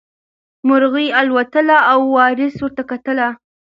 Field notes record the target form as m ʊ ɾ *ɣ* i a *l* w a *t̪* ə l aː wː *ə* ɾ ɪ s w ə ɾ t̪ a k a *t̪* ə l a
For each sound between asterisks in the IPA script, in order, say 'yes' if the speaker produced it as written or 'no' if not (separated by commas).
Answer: yes, yes, yes, no, yes